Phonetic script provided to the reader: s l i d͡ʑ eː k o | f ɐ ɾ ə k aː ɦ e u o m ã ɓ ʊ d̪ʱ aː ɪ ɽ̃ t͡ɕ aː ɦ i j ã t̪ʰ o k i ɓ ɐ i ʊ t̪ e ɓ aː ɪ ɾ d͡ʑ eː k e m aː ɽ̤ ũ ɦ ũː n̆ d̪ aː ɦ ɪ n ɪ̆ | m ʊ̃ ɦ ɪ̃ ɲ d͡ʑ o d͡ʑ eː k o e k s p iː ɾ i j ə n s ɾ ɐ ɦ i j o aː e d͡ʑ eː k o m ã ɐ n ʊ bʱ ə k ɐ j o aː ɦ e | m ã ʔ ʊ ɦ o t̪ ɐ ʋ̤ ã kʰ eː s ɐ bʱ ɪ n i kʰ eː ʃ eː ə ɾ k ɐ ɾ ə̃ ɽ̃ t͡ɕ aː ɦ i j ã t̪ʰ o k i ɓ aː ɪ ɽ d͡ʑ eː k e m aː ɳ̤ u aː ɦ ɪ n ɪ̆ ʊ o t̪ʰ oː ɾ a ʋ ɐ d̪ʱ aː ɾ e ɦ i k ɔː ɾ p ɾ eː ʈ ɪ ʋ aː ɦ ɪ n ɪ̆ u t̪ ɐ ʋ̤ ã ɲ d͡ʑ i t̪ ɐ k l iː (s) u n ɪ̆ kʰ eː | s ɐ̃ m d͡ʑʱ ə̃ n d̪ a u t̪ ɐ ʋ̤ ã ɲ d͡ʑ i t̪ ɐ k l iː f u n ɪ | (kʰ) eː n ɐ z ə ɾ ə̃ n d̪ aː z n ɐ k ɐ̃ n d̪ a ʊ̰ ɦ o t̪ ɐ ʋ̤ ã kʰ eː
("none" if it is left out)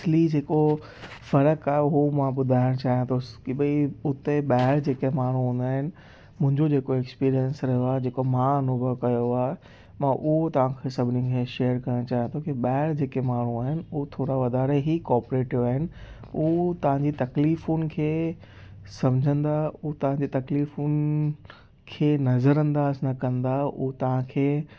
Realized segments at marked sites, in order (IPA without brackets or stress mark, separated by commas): f, kʰ